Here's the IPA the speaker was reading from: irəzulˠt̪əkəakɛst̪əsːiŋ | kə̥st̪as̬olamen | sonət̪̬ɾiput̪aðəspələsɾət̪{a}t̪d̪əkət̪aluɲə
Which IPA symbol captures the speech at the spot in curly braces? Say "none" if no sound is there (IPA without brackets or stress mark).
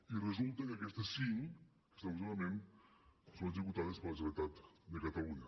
a